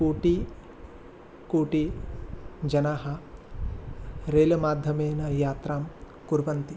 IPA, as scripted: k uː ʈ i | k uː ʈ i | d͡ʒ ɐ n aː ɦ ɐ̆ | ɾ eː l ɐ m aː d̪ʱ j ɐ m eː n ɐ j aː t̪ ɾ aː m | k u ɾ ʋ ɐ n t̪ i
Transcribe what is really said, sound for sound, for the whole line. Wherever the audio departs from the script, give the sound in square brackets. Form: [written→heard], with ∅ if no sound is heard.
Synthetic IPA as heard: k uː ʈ i | k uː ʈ i | d͡ʒ ɐ n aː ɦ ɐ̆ | ɾ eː l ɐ m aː d̪ʱ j ɐ m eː n ɐ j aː t̪ ɾ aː m | k u ɾ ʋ ɐ n t̪ i